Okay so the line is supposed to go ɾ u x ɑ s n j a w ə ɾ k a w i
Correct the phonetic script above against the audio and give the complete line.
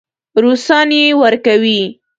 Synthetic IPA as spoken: ɾ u s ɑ n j e w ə ɾ k a w i